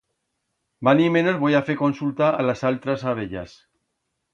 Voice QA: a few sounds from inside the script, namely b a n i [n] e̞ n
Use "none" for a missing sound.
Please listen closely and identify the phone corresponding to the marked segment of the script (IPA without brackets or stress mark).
m